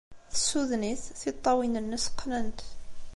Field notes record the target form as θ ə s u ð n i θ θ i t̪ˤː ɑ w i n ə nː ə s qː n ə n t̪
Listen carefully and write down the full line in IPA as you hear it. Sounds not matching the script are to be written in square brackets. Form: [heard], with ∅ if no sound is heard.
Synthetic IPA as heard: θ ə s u ð n i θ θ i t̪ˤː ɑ w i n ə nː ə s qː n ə n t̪